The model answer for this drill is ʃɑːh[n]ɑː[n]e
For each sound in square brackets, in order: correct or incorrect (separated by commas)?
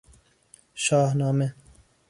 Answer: correct, incorrect